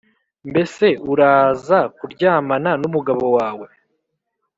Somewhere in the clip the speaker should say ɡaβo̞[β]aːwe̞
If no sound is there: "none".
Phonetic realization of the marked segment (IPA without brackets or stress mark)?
w